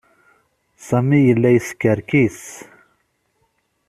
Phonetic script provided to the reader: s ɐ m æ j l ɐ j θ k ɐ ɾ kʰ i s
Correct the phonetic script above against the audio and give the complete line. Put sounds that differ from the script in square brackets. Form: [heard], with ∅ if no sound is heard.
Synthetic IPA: s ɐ m [i] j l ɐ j [s] k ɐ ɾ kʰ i s